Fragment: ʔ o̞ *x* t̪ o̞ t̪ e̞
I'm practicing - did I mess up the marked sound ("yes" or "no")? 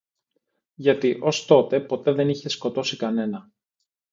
yes